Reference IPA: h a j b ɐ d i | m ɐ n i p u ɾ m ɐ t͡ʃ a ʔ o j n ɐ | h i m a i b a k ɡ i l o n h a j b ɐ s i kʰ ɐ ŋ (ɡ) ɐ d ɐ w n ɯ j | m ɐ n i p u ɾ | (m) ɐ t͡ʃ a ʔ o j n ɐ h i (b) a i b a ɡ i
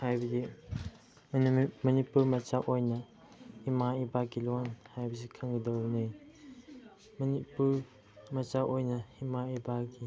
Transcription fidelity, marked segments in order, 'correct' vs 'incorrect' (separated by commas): correct, correct, incorrect